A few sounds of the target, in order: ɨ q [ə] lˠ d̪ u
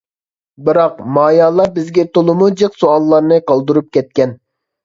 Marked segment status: incorrect: ɑ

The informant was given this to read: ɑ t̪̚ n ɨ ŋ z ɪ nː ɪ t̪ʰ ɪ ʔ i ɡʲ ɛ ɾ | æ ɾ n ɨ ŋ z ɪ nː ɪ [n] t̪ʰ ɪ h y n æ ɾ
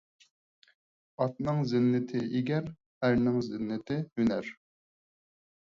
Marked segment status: incorrect: none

